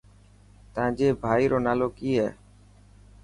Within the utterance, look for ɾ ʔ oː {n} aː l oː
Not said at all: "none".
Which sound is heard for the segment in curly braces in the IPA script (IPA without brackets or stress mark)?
n